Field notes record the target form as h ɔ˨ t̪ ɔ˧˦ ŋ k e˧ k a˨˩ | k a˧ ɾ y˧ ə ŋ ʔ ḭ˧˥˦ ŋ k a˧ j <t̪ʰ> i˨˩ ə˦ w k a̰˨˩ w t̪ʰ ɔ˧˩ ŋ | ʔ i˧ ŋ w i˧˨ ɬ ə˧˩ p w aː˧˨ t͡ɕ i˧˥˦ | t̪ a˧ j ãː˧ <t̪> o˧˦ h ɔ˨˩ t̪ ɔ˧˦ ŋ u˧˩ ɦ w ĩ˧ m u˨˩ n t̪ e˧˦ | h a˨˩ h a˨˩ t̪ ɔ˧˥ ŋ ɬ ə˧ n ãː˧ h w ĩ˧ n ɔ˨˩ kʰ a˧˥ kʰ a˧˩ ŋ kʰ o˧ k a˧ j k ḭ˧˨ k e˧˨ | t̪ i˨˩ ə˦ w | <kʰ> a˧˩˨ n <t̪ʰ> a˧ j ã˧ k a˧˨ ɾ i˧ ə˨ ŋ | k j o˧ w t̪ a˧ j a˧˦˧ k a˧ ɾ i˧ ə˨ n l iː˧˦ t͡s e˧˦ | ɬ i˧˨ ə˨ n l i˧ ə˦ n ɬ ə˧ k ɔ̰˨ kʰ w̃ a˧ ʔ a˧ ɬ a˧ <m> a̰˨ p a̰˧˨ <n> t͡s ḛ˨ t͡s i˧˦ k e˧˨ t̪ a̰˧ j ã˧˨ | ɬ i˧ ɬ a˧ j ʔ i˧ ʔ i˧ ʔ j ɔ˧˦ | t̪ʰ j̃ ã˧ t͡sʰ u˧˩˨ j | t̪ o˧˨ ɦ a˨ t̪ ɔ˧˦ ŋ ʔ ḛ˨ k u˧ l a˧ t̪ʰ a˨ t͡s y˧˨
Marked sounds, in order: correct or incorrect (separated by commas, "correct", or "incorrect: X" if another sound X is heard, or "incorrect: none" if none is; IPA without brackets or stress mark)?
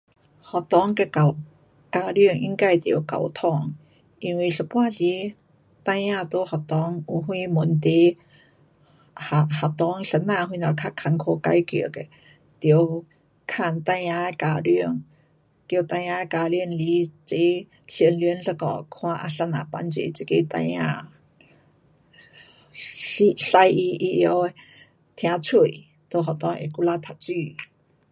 incorrect: t̪, correct, correct, incorrect: t̪, incorrect: n, correct